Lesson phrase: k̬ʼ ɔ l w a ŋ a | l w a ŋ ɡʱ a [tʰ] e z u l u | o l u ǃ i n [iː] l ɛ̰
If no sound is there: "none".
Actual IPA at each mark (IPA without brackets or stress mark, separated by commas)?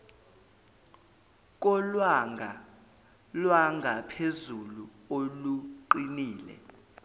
pʰ, iː